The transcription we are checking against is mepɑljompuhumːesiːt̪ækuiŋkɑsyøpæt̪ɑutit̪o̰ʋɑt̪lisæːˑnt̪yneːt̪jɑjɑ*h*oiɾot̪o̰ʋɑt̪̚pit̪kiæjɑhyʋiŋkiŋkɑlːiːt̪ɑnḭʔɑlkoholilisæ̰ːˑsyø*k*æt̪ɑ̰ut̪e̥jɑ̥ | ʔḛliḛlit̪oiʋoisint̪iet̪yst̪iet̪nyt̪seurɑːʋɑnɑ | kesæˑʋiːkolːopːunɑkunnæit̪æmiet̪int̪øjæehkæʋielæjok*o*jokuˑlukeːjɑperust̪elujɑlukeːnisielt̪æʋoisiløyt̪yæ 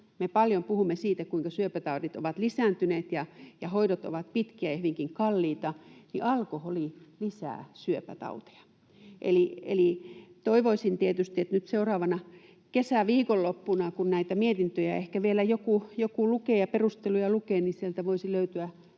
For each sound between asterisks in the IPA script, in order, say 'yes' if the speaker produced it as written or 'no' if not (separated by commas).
yes, no, no